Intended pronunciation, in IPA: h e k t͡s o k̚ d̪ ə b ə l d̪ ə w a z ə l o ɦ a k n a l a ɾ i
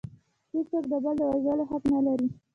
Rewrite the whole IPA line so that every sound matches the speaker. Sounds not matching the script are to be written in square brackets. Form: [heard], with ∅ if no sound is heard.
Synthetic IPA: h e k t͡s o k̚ d̪ ə b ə l d̪ ə w a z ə l o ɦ a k n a l a ɾ i